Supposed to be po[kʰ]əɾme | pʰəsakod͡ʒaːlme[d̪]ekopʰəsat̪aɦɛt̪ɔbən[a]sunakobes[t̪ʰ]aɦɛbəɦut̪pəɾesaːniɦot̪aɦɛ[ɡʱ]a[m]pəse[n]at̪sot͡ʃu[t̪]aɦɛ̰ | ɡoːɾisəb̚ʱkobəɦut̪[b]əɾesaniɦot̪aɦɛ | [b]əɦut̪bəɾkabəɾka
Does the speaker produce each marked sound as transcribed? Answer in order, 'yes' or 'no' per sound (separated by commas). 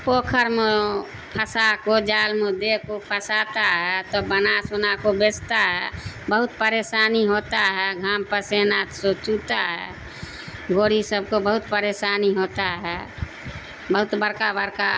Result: yes, yes, yes, no, yes, yes, yes, yes, no, yes